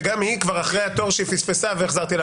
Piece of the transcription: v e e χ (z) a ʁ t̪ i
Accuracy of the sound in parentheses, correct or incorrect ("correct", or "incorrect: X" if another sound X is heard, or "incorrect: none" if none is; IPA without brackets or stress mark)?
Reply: correct